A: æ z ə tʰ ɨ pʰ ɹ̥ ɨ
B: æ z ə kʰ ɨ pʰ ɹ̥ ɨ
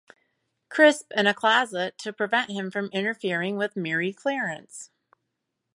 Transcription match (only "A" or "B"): A